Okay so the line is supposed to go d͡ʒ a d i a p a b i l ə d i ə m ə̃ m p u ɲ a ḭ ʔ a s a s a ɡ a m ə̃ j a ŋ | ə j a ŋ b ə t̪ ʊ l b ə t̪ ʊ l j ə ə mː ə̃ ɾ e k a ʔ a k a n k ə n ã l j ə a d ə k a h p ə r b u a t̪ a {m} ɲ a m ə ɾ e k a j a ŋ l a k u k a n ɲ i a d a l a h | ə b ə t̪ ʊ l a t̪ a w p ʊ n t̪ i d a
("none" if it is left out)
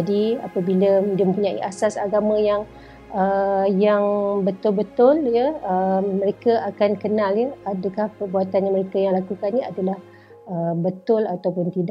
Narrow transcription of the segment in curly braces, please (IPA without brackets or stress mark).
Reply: n